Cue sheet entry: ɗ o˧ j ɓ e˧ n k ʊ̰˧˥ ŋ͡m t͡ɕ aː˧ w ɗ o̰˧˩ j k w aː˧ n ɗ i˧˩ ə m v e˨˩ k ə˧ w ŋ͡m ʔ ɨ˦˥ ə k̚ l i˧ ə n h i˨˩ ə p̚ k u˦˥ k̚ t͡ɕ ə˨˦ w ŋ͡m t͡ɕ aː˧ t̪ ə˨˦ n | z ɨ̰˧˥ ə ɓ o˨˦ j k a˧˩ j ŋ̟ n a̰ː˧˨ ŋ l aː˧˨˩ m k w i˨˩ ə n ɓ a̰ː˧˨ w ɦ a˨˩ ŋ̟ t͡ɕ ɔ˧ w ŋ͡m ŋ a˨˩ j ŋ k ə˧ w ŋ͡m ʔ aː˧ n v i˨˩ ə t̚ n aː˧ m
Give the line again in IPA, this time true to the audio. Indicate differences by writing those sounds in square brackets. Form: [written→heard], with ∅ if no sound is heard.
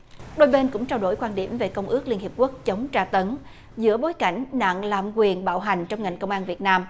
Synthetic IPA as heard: ɗ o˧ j ɓ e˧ n k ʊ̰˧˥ ŋ͡m t͡ɕ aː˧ w ɗ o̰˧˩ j k w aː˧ n ɗ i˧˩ ə m v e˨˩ k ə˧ w ŋ͡m ʔ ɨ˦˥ ə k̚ l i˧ ə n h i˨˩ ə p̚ k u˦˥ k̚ t͡ɕ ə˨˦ w ŋ͡m t͡ɕ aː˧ t̪ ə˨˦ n | z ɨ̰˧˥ ə ɓ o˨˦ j k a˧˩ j ŋ̟ n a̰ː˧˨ ŋ l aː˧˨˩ m k w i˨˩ ə n ɓ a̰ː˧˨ w ɦ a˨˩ ŋ̟ t͡ɕ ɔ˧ w ŋ͡m ŋ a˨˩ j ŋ k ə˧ w ŋ͡m ʔ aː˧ n v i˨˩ ə t̚ n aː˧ m